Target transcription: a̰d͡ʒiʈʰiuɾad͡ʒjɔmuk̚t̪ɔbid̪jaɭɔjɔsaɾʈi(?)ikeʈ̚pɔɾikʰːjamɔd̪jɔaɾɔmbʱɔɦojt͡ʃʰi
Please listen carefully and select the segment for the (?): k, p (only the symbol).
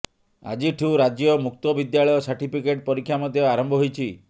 p